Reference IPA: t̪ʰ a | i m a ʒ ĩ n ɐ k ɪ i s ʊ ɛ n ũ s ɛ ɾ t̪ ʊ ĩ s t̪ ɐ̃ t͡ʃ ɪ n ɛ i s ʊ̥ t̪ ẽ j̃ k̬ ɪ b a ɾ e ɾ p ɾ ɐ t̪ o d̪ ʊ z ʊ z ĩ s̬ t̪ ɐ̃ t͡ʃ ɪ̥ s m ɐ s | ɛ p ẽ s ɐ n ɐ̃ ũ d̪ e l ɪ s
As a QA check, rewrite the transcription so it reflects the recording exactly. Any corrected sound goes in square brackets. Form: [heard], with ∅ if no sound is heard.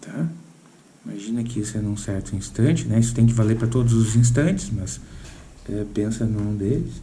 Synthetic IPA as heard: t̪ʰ a | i m a ʒ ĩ n ɐ k ɪ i s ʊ ɛ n ũ s ɛ ɾ t̪ ʊ ĩ s t̪ ɐ̃ t͡ʃ ɪ n ɛ i s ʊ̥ t̪ ẽ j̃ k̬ ɪ [v] a [l] e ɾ p ɾ ɐ t̪ o d̪ ʊ z ʊ z ĩ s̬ t̪ ɐ̃ t͡ʃ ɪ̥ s m ɐ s | ɛ p ẽ s ɐ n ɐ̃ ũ d̪ e l ɪ s